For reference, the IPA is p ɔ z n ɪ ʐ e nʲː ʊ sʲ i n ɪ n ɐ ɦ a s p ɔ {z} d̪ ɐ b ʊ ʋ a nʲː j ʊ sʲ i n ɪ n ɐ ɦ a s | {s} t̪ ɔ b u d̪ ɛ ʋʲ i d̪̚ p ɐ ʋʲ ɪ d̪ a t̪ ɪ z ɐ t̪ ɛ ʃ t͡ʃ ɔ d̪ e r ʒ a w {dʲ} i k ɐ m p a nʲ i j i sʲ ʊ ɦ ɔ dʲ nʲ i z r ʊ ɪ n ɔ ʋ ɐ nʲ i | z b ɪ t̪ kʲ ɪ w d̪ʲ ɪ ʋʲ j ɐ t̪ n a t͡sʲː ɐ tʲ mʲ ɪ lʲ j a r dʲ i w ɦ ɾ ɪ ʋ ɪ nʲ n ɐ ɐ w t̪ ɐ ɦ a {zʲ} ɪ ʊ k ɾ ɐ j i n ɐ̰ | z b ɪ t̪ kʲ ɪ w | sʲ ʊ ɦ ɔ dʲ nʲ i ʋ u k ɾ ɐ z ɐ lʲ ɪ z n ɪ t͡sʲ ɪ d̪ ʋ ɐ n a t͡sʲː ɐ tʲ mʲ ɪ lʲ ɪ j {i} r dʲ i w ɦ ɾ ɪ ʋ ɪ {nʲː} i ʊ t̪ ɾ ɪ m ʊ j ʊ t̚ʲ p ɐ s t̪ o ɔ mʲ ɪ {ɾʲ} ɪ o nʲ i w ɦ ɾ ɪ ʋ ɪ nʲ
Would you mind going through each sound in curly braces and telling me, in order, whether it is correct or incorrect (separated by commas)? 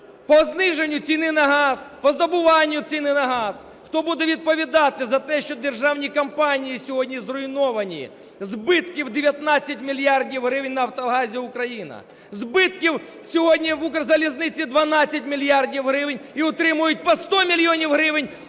correct, incorrect, incorrect, correct, incorrect, incorrect, incorrect